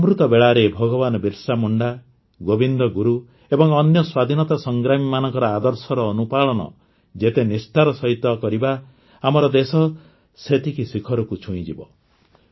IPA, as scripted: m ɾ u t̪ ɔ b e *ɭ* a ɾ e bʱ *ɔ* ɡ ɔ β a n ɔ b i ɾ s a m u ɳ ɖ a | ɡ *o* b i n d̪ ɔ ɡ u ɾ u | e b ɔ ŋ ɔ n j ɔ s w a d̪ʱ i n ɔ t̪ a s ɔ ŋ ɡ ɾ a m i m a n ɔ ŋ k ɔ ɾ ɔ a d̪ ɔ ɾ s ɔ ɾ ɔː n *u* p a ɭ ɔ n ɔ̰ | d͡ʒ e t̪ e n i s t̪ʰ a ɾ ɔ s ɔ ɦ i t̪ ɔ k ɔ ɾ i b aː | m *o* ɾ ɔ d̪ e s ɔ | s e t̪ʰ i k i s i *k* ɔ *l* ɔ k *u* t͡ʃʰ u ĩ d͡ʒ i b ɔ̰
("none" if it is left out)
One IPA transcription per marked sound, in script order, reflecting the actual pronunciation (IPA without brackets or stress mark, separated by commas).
ɭ, ɔ, o, u, ɔ, kʰ, ɾ, u